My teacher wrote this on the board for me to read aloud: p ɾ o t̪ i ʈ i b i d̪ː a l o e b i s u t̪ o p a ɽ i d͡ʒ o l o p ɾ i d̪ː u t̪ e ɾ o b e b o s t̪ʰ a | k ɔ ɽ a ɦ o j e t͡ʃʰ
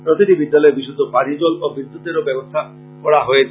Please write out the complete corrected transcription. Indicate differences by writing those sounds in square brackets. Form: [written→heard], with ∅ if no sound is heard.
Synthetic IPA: p ɾ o t̪ i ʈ i b i d̪ː a l [o→ɔ] e b i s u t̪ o p a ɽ i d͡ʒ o l o [p→b] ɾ i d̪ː u t̪ e ɾ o b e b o s t̪ʰ a | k ɔ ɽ a ɦ o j e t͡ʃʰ